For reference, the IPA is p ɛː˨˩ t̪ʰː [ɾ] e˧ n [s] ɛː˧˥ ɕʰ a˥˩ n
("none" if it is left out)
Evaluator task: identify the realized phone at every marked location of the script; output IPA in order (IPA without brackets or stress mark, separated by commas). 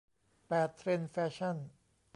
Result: ɾ, f